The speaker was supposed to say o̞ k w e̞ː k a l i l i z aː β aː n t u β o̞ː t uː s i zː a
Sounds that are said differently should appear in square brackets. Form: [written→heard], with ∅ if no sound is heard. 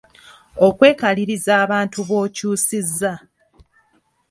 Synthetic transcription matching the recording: o̞ k w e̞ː k a l i [l→ɾ] i z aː β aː n t u β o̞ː [t→c] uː s i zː a